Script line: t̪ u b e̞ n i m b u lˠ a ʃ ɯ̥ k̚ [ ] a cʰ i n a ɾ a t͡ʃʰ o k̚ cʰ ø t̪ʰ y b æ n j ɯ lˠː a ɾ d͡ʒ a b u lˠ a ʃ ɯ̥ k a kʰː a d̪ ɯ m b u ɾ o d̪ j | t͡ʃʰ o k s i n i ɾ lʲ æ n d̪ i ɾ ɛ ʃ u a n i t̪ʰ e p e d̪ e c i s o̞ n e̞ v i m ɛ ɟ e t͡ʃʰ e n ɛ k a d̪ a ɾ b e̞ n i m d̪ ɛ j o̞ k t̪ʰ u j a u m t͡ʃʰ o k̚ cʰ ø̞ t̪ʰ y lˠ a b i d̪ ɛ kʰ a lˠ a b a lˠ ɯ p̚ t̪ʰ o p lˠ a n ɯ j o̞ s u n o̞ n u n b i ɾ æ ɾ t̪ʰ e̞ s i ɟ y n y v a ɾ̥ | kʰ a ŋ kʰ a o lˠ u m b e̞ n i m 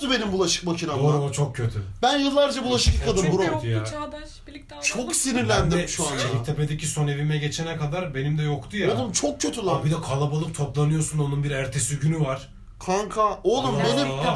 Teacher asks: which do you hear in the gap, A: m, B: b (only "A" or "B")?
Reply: A